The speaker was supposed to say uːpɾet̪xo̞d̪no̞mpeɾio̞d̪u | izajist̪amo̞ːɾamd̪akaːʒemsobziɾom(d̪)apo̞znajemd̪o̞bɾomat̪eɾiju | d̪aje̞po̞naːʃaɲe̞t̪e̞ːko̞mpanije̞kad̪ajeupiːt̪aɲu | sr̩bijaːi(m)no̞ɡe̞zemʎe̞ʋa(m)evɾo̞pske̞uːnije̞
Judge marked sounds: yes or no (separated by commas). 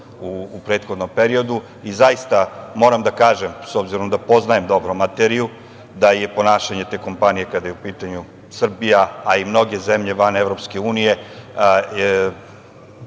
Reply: yes, yes, no